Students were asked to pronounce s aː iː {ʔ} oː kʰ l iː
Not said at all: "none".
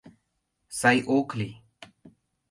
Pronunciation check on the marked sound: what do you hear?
ʔ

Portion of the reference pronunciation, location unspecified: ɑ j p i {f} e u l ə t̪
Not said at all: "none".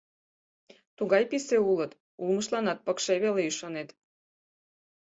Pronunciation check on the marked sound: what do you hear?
s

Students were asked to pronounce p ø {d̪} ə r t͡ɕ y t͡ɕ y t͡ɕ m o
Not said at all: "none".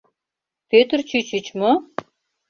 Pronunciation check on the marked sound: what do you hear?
t̪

